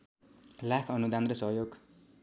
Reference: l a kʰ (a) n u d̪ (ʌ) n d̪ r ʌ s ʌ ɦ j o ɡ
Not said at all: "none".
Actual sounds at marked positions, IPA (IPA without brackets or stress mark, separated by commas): ʌ, a